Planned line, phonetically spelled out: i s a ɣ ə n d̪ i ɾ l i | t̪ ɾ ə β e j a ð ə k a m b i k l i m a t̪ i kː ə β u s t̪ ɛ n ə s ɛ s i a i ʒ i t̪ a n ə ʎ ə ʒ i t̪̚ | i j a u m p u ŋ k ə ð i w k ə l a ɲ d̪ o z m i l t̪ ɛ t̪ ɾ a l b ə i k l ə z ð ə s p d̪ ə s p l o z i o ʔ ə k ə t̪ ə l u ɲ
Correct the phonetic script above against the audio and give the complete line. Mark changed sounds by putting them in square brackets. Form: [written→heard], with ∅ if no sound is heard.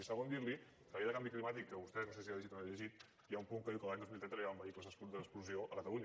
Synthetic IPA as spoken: i s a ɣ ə n d̪ i ɾ l i | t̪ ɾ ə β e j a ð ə k a m b i k l i m a t̪ i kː ə β u s t̪ ɛ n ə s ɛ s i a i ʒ i t̪ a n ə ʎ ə ʒ i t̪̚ | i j a u m p u ŋ k ə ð i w k ə l a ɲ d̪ o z m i l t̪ ɛ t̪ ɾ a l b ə i k l ə z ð ə s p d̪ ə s p l [o→u] z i o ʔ ə k ə t̪ ə l u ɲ